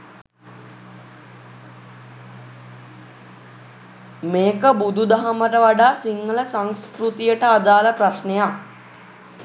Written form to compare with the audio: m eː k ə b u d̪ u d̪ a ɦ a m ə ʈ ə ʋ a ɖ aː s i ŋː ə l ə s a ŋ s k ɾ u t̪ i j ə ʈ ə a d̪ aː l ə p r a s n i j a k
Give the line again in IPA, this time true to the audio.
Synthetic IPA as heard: m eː k ə b u d̪ u d̪ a ɦ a m ə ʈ ə ʋ a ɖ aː s i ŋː ə l ə s a ŋ s k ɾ u t̪ i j ə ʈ ə a d̪ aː l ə p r a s n e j a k